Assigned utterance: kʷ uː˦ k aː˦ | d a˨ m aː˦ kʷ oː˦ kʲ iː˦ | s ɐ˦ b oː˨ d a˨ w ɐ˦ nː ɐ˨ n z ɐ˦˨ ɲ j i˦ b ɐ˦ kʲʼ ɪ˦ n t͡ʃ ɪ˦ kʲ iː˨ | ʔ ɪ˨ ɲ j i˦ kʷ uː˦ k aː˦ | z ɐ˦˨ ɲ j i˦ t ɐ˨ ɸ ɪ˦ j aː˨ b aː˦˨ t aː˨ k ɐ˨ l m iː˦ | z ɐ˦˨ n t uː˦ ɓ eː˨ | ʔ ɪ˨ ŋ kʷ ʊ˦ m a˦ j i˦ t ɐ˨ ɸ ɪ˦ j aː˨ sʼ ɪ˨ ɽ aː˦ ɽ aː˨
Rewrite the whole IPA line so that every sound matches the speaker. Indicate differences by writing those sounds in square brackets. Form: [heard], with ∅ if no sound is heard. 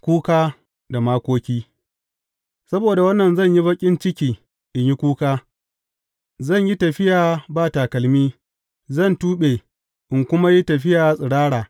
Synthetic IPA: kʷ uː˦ k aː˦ | d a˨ m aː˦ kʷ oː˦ kʲ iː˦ | s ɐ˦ b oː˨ d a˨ w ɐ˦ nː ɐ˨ n z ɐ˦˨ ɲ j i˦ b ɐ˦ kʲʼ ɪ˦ n t͡ʃ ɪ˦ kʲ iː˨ | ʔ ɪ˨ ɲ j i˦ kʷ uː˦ k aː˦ | z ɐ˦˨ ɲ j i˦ t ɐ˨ ɸ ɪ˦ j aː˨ b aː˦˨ t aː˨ k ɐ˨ l m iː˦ | z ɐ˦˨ n t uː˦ ɓ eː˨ | ʔ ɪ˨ ŋ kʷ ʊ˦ m a˦ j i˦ t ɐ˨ ɸ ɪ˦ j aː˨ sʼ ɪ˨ ɽ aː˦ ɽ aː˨